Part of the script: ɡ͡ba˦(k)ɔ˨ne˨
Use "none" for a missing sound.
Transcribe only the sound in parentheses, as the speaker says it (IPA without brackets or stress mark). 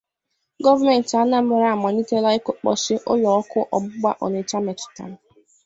ʔ